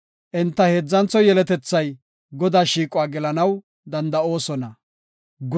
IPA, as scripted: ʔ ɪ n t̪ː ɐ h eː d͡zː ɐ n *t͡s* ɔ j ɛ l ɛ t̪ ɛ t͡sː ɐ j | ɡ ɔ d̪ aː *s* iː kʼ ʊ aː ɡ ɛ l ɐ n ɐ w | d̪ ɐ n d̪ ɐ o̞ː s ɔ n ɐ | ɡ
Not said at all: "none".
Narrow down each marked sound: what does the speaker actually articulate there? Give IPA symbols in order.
t͡s, ʃ

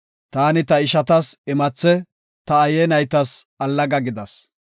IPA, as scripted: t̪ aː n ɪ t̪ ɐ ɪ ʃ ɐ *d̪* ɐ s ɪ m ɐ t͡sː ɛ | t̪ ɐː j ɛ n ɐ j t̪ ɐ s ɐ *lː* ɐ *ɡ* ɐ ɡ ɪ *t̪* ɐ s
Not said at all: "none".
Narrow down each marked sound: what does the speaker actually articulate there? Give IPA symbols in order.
t̪, lː, ɡ, d̪

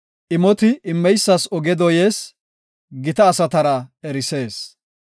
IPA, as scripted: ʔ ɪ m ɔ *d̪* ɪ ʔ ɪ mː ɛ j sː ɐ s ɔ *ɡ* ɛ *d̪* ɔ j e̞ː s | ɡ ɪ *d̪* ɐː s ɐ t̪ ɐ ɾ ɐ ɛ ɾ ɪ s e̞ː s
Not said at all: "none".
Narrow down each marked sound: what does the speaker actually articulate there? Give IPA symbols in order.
t̪, ɡ, d̪, t̪

